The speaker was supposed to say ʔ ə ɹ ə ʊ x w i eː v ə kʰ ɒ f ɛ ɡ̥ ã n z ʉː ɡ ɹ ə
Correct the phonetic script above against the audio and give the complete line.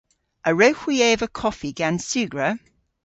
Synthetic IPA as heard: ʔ ə ɹ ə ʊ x w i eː v ə kʰ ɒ f i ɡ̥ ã n s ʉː ɡ ɹ ə